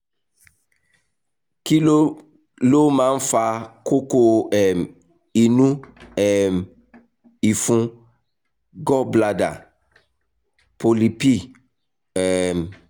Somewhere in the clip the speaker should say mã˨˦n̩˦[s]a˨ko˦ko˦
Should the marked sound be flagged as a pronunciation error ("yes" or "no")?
yes